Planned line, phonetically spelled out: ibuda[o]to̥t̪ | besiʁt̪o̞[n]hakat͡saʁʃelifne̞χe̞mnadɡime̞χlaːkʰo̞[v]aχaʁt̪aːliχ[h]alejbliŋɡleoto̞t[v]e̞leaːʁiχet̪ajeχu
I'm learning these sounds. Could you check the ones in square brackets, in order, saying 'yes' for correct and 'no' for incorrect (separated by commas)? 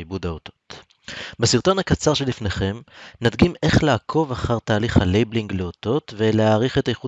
yes, yes, yes, yes, yes